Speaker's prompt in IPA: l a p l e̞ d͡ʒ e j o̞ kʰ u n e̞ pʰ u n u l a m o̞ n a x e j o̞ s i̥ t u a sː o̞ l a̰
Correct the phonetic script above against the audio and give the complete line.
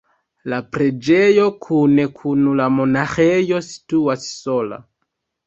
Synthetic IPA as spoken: l a p ɾ e̞ d͡ʒ e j o̞ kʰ u n e̞ kʰ u n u l a m o̞ n a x e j o̞ s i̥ t u a sː o̞ l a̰